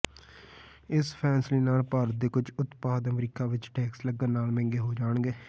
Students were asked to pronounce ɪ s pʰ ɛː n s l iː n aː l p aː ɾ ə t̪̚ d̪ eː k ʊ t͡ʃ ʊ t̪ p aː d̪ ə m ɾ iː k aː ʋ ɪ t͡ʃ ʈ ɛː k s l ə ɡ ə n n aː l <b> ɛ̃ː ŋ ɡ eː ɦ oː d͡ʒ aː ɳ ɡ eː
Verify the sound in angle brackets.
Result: incorrect: m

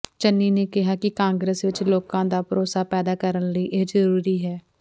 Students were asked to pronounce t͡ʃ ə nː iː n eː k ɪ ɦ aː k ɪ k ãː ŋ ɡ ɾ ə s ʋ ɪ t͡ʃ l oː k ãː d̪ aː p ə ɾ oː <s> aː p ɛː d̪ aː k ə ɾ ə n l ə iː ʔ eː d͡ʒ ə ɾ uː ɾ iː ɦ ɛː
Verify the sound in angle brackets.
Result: correct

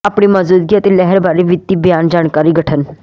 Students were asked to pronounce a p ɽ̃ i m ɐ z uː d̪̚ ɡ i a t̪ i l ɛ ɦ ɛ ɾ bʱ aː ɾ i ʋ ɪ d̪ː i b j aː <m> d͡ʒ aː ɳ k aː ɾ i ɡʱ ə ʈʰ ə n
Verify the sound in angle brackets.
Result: incorrect: n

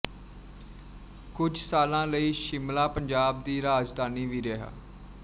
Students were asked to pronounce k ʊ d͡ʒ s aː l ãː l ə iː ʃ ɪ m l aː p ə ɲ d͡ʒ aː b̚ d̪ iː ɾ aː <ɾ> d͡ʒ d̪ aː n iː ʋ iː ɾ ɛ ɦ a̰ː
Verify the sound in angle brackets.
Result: incorrect: none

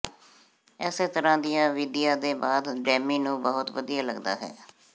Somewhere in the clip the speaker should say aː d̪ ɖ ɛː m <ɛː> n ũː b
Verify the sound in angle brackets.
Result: incorrect: iː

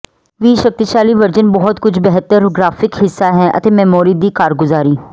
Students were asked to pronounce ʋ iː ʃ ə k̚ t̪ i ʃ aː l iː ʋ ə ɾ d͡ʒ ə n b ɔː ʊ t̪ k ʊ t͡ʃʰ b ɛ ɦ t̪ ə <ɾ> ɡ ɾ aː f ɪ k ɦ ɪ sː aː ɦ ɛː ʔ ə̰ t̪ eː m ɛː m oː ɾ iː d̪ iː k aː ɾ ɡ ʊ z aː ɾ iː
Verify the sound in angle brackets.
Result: correct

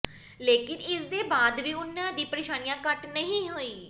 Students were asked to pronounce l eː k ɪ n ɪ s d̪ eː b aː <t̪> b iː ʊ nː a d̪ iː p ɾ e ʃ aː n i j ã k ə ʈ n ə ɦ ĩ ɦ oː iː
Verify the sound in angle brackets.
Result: incorrect: d̪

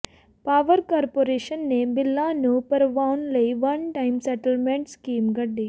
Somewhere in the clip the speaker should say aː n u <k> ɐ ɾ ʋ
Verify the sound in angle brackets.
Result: incorrect: p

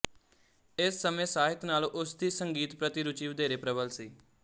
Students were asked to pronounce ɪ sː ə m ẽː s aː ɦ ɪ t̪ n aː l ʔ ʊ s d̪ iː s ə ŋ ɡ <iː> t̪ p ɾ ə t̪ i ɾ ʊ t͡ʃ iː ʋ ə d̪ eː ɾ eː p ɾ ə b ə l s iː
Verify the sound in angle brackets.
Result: correct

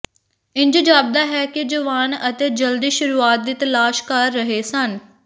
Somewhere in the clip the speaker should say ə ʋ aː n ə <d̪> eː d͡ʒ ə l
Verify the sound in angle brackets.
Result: incorrect: t̪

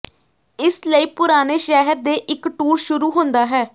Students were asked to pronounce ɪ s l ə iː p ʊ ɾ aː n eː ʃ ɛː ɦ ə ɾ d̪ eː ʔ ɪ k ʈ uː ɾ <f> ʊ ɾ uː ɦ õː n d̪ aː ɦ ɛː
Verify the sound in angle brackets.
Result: incorrect: ʃ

